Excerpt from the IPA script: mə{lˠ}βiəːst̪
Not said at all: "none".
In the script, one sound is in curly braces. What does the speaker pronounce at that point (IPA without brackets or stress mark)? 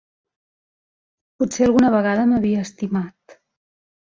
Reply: none